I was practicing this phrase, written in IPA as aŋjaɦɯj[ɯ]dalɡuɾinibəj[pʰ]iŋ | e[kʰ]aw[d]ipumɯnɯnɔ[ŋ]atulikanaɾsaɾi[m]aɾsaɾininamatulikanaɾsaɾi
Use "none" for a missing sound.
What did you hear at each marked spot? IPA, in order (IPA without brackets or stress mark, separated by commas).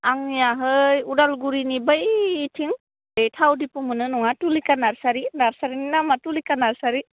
u, tʰ, tʰ, d, ŋ, n